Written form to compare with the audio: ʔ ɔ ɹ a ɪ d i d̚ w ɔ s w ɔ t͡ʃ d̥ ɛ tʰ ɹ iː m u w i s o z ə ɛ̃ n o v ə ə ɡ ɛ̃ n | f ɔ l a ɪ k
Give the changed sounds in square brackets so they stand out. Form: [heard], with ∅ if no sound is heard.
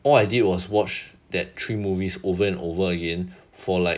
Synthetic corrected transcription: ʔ ɔ [l] a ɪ d i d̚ w ɔ s w ɔ t͡ʃ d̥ ɛ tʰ ɹ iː m u [v] i s o [v] ə ɛ̃ n o v ə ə ɡ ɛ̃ n | f ɔ l a ɪ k